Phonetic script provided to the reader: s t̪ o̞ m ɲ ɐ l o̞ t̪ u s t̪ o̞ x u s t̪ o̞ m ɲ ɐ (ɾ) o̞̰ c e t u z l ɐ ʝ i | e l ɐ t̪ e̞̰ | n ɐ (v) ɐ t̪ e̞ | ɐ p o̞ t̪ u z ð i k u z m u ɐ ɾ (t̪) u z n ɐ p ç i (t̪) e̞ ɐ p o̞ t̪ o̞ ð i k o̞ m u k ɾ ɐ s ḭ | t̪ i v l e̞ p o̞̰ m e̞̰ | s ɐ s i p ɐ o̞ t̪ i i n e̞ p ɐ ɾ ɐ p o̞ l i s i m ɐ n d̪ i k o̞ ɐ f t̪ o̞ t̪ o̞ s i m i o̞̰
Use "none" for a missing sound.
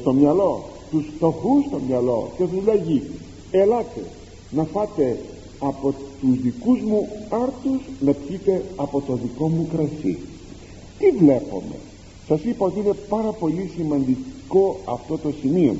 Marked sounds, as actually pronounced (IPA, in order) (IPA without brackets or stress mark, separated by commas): l, f, t̪, t̪